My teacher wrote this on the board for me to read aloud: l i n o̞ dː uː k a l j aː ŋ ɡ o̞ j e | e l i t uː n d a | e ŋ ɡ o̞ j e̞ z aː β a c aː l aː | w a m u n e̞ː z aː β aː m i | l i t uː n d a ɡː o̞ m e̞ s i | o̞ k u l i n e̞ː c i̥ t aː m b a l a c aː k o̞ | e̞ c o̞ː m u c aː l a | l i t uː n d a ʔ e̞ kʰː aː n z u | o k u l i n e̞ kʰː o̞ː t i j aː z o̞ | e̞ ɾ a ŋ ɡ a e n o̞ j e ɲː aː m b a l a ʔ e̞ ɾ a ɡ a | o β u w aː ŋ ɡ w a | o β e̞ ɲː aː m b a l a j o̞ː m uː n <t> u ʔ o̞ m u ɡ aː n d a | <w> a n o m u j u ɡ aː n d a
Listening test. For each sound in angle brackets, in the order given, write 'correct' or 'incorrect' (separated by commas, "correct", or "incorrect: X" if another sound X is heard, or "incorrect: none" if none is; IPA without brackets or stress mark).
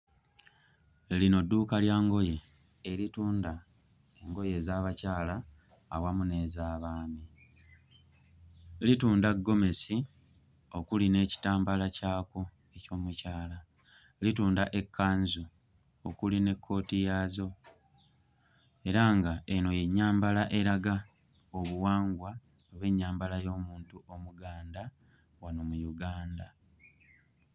correct, correct